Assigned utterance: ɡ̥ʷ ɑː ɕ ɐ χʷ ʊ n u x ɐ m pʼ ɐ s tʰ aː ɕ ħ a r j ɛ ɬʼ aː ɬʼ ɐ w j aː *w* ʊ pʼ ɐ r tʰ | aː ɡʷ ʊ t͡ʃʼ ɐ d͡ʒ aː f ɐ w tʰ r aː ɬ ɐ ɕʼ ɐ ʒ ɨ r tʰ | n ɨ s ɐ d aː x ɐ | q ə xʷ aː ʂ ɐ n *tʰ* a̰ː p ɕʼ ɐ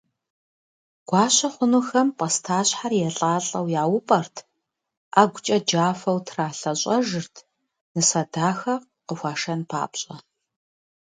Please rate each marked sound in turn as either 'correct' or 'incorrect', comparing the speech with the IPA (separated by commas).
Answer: correct, incorrect